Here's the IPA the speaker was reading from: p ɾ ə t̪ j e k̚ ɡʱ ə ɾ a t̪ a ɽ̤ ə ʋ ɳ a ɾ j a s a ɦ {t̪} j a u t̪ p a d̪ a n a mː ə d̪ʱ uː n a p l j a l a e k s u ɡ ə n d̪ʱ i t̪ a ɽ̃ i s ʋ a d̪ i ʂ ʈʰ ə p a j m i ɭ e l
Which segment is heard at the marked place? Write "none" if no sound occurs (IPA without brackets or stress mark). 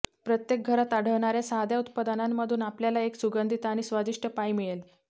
d̪